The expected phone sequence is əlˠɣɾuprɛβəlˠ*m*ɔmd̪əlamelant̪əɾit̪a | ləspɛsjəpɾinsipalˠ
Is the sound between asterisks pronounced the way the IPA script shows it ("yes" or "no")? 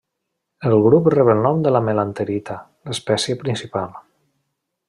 no